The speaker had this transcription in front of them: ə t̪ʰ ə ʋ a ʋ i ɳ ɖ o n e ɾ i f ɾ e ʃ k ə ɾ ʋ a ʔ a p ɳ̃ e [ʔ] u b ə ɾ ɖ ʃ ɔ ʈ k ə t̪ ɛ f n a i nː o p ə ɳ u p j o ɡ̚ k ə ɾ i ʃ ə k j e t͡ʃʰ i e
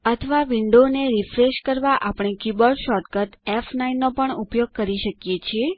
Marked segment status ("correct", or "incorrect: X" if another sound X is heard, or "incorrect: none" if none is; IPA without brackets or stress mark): incorrect: k